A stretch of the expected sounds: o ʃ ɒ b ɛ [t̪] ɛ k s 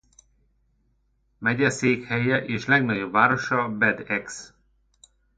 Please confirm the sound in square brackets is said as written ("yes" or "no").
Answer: no